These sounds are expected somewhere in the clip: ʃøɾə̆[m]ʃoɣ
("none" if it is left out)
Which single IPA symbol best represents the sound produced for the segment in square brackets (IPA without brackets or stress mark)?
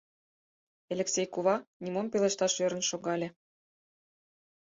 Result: n